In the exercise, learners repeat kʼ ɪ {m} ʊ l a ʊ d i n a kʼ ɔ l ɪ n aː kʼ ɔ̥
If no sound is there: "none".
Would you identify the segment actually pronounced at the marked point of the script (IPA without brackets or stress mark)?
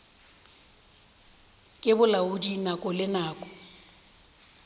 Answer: b